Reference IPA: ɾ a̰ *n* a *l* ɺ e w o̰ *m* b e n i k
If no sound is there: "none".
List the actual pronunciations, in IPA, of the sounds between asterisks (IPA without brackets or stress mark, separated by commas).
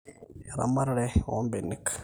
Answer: m, ɾ, m